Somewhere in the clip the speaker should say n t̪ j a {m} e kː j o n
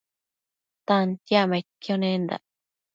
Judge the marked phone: correct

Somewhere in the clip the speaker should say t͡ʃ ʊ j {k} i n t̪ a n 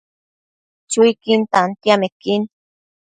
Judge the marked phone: correct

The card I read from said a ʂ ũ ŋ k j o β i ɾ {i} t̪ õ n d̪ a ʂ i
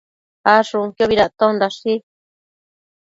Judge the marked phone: incorrect: a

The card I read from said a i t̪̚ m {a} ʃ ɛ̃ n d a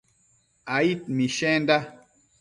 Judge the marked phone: incorrect: i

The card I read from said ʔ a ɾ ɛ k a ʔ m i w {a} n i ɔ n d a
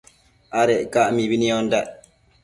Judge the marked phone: incorrect: i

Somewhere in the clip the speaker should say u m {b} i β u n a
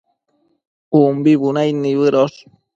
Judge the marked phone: correct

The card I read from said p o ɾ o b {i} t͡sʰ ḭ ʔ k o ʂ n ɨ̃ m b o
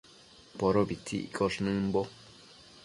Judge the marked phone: correct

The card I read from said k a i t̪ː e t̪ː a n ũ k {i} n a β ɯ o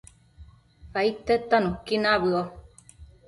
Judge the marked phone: correct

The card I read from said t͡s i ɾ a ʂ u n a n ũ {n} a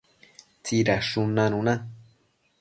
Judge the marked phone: correct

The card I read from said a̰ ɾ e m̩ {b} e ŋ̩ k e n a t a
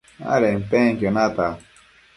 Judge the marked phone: incorrect: p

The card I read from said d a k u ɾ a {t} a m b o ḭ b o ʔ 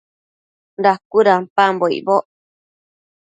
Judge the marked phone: incorrect: p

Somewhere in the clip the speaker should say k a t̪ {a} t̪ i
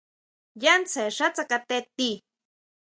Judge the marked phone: incorrect: e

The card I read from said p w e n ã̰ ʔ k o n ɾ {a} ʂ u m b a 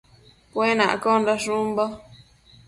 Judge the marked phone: correct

